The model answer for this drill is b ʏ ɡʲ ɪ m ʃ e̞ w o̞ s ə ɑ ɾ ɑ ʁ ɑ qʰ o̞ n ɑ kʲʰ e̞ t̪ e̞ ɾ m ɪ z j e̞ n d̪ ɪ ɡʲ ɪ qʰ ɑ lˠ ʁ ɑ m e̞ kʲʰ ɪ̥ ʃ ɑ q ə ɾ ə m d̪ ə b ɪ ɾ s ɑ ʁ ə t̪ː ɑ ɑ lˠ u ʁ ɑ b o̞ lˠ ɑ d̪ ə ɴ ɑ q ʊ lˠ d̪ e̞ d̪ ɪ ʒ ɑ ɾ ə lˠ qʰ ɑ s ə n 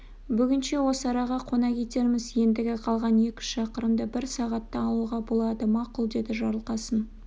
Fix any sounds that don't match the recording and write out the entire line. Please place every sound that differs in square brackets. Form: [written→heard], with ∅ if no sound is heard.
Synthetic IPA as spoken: b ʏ ɡʲ ɪ [m→n] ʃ e̞ w o̞ s ə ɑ ɾ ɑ ʁ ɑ qʰ o̞ n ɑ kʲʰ e̞ t̪ e̞ ɾ m ɪ z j e̞ n d̪ ɪ ɡʲ ɪ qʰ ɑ lˠ ʁ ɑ [m→n] e̞ [kʲʰ→kʲ] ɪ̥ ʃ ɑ q ə ɾ ə m d̪ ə b ɪ ɾ s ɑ ʁ [ə→ɑ] t̪ː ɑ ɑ lˠ u ʁ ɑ b o̞ lˠ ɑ d̪ ə [ɴ→m] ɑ q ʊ lˠ d̪ e̞ d̪ ɪ ʒ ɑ ɾ ə lˠ [qʰ→q] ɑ s ə n